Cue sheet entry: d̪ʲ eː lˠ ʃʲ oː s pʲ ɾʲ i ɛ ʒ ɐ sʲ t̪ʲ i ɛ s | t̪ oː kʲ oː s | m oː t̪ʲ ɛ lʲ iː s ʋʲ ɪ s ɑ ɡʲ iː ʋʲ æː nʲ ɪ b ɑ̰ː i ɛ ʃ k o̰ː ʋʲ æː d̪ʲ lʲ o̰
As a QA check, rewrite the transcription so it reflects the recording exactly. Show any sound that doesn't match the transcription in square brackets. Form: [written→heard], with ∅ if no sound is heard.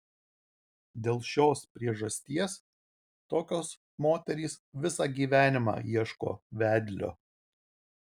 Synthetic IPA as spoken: d̪ʲ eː lˠ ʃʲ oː s pʲ ɾʲ i ɛ ʒ ɐ sʲ t̪ʲ i ɛ s | t̪ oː kʲ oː s | m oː t̪ʲ ɛ [lʲ→ɾʲ] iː s ʋʲ ɪ s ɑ ɡʲ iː ʋʲ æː nʲ ɪ [b→m] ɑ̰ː i ɛ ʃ k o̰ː ʋʲ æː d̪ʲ lʲ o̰